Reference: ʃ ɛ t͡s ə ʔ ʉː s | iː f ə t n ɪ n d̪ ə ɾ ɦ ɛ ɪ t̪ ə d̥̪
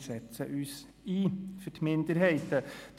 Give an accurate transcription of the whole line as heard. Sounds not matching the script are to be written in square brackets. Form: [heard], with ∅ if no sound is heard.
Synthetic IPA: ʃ ɛ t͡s ə ʔ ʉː s | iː f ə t [m] ɪ n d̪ ə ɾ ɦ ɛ ɪ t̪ ə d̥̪